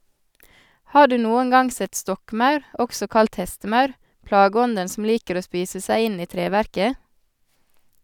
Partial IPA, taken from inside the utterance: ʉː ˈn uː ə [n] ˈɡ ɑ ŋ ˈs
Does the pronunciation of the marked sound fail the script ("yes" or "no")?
yes